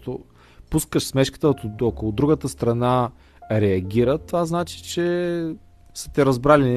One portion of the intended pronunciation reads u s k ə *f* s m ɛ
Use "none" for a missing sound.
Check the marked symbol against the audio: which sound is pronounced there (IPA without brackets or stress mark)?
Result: ʃ